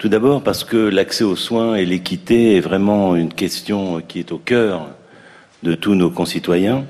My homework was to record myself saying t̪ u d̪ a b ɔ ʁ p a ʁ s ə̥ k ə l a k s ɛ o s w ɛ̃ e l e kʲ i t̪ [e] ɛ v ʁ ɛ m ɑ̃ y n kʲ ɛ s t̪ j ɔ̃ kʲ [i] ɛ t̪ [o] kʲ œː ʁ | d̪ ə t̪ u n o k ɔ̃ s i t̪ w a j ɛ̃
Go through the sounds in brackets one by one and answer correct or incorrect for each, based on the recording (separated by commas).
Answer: correct, correct, correct